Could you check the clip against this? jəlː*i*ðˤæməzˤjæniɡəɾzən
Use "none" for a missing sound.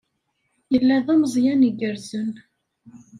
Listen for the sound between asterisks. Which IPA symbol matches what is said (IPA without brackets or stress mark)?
æ